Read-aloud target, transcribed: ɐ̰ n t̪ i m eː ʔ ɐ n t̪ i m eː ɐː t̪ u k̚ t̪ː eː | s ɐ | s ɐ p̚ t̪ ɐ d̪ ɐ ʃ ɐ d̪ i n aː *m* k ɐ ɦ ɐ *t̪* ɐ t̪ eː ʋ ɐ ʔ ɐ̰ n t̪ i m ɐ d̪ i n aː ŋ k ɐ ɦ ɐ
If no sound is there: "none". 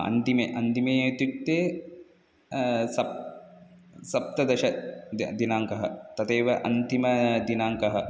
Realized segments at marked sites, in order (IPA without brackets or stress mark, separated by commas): ŋ, t̪